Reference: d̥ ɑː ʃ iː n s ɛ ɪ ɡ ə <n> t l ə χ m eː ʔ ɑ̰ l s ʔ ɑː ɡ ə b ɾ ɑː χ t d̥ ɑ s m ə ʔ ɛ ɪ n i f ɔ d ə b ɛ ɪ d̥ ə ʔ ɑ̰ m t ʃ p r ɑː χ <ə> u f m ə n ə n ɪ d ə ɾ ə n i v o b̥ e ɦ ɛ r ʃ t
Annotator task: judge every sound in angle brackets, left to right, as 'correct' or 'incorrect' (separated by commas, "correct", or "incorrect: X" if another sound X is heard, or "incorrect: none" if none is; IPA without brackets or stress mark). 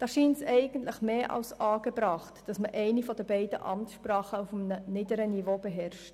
correct, correct